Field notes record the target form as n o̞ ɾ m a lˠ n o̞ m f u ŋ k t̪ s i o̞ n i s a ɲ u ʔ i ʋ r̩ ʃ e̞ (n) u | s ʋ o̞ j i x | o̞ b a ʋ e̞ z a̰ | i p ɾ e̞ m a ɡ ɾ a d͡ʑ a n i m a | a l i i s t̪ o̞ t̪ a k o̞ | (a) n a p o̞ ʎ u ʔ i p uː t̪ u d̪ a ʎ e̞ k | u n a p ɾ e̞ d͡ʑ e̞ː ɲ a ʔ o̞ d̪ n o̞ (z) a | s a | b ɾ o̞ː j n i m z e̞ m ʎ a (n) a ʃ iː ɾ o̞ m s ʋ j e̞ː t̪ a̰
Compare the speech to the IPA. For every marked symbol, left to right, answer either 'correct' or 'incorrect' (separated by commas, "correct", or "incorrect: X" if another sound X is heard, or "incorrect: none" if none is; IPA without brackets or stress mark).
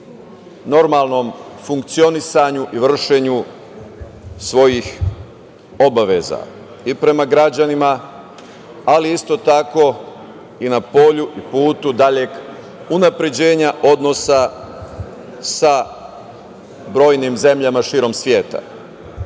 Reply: incorrect: ɲ, incorrect: i, incorrect: s, incorrect: m